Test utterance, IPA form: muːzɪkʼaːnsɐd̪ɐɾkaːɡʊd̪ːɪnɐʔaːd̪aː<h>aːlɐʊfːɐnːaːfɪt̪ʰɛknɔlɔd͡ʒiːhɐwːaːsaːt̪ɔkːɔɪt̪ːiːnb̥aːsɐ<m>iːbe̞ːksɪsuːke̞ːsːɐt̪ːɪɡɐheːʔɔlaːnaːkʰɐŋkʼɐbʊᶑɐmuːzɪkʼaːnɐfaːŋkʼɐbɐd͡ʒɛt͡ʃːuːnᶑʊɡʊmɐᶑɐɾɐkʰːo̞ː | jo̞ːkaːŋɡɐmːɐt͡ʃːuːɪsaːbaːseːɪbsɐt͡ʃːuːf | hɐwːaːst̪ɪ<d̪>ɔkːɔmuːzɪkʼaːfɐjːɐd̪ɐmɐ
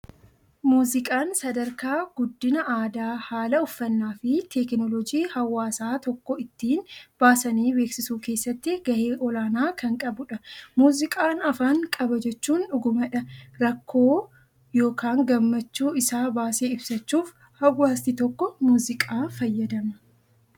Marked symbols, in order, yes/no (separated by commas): yes, no, no